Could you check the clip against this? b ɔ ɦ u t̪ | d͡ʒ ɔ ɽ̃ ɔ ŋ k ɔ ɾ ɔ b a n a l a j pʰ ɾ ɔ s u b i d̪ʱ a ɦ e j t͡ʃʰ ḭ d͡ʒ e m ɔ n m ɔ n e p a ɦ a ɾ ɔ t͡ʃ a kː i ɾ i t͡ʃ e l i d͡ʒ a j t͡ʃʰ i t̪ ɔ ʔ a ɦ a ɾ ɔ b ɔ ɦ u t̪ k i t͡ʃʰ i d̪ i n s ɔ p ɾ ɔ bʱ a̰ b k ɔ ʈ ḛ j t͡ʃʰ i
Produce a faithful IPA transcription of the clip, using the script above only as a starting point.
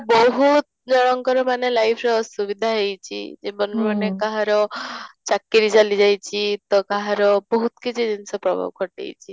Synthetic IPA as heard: b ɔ ɦ u t̪ | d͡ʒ ɔ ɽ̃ ɔ ŋ k ɔ ɾ ɔ m a n e l a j pʰ ɾ ɔ s u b i d̪ʱ a ɦ e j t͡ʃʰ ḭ d͡ʒ e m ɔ n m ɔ n e k a ɦ a ɾ ɔ t͡ʃ a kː i ɾ i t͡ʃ a l i d͡ʒ a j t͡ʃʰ i t̪ ɔ k a ɦ a ɾ ɔ b ɔ ɦ u t̪ k i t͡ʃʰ i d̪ i n s ɔ p ɾ ɔ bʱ a̰ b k ɔ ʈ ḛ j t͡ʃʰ i